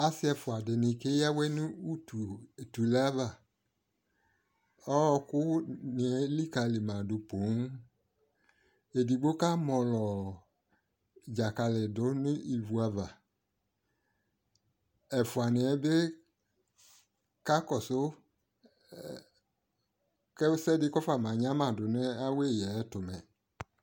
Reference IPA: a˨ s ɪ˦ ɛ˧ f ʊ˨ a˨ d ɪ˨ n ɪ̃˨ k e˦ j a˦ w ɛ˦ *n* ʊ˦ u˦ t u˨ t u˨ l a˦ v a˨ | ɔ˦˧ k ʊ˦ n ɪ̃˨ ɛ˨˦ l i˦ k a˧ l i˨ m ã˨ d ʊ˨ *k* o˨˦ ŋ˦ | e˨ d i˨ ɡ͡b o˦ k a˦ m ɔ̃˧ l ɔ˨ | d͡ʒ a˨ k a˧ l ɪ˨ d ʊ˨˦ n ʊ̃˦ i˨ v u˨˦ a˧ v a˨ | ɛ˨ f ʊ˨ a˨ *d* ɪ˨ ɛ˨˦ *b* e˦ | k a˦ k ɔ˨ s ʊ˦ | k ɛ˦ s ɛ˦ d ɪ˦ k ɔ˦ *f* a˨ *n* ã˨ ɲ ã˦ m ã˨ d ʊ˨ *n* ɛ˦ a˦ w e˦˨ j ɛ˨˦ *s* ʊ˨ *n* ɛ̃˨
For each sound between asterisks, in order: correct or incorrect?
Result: correct, incorrect, incorrect, correct, correct, incorrect, correct, incorrect, incorrect

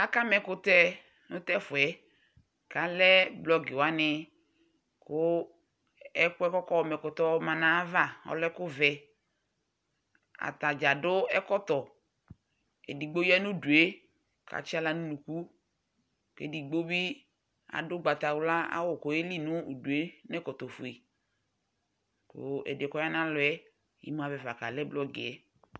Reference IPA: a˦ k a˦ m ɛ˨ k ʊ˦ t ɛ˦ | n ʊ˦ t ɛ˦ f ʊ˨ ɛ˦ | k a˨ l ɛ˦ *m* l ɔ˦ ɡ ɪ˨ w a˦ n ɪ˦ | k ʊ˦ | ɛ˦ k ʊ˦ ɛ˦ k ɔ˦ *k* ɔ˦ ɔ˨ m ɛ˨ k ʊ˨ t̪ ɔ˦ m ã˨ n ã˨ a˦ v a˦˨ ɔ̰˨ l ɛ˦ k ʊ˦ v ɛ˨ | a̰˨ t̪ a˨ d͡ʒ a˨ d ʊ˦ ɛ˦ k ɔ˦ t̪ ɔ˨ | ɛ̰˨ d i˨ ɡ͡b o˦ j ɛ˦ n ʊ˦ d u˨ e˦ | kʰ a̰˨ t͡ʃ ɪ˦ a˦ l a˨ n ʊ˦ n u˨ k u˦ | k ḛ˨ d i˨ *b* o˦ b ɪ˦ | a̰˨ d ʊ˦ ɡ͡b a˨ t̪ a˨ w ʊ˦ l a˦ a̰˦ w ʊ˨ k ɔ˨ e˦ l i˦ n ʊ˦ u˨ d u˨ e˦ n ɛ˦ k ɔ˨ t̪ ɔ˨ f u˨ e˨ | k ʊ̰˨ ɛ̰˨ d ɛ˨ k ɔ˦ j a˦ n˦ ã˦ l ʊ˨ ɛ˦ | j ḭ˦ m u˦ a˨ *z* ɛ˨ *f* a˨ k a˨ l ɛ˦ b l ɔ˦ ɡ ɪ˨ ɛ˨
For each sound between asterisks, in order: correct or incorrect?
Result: incorrect, correct, incorrect, incorrect, incorrect

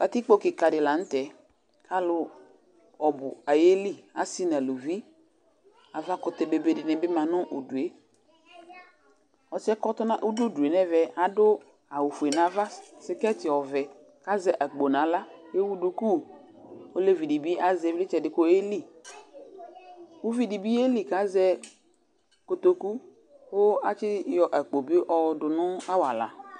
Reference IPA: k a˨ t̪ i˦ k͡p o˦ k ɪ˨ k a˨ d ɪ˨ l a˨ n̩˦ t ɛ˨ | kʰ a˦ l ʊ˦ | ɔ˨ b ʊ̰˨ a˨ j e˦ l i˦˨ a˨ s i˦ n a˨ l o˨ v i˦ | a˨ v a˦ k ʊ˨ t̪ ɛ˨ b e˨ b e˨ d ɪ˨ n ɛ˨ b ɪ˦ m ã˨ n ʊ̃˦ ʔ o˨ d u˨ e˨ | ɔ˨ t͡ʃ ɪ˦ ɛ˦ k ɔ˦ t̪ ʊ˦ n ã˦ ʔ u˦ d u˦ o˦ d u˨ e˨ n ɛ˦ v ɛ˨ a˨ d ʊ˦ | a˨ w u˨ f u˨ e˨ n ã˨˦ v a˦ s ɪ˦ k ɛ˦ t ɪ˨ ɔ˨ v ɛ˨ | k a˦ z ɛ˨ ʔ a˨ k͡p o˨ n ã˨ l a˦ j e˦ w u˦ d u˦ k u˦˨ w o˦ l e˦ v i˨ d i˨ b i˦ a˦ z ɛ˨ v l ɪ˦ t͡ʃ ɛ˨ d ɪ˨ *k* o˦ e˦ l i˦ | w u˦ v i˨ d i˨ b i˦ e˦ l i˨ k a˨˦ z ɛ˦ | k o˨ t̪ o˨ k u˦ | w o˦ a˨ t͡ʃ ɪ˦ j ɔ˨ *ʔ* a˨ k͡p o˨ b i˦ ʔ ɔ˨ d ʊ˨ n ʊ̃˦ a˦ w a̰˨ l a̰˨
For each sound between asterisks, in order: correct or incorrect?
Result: correct, correct

